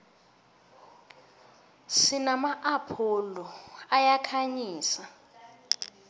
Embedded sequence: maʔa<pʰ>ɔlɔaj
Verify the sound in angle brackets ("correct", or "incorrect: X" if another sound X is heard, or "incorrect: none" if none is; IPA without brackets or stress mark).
correct